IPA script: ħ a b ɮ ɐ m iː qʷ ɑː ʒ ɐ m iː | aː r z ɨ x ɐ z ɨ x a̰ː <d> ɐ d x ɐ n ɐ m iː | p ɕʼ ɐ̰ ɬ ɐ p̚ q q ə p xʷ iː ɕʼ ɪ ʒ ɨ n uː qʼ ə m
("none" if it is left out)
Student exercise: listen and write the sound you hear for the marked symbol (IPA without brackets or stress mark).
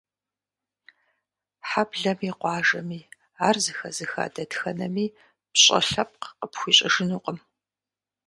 d